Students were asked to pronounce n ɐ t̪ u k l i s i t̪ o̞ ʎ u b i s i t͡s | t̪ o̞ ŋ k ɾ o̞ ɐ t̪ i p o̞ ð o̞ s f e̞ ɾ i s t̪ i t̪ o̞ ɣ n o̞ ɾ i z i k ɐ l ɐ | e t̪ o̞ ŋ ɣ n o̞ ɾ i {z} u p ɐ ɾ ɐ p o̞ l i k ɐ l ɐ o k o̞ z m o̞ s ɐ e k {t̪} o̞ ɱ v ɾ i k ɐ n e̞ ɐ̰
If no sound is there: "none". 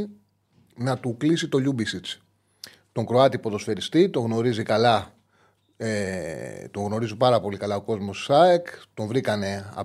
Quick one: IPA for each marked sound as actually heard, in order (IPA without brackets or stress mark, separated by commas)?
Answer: z, t̪